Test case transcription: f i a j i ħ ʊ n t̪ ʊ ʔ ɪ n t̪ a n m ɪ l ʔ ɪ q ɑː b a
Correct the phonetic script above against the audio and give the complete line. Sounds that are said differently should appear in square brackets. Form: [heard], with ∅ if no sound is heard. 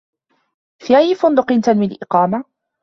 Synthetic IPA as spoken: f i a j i [f] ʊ n [d̪] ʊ [q] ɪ n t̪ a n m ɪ l ʔ ɪ q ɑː [m] a